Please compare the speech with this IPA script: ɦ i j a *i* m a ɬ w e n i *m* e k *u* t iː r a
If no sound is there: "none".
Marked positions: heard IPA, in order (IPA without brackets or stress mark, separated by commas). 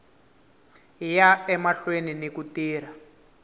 ɛ, n, u